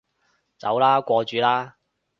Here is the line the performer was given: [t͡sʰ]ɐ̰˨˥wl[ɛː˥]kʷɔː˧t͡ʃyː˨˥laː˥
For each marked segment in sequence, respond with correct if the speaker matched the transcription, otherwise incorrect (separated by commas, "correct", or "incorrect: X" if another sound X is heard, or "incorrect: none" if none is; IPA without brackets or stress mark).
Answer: incorrect: t͡s, incorrect: aː˥